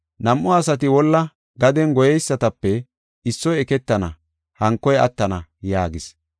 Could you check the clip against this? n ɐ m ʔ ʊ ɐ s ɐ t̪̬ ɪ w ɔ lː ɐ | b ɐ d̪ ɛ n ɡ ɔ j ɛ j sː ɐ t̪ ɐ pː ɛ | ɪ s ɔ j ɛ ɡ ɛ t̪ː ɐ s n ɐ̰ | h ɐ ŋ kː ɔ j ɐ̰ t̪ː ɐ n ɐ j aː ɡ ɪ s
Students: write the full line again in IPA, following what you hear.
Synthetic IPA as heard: n ɐ m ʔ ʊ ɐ s ɐ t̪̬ ɪ w ɔ lː ɐ | ɡ ɐ d̪ ɛ n ɡ ɔ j ɛ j sː ɐ t̪ ɐ pː ɛ | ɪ sː ɔ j ɛ k ɛ t̪ː ɐ n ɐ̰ | h ɐ ŋ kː ɔ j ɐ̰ t̪ː ɐ n ɐ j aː ɡ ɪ s